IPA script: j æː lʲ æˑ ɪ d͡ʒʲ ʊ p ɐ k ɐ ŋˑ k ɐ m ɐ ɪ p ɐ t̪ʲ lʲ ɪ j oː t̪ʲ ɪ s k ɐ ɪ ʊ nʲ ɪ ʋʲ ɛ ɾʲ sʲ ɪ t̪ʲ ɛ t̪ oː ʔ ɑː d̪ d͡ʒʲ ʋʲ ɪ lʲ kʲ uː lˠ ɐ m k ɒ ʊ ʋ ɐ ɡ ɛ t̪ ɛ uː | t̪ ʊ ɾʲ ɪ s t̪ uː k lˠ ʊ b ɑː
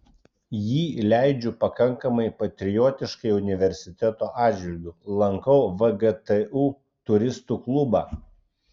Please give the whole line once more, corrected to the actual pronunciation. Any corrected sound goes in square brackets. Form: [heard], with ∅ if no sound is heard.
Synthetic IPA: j [iː] lʲ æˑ ɪ d͡ʒʲ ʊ p ɐ k ɐ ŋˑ k ɐ m ɐ ɪ p ɐ t̪ʲ [ɾʲ] ɪ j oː t̪ʲ ɪ [ʃ] k ɐ ɪ ʊ nʲ ɪ ʋʲ ɛ ɾʲ sʲ ɪ t̪ʲ ɛ t̪ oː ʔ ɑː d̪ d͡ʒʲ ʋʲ ɪ lʲ [ɡʲ] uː lˠ ɐ [ŋ] k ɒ ʊ ʋ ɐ ɡ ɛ t̪ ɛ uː | t̪ ʊ ɾʲ ɪ s t̪ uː k lˠ ʊ b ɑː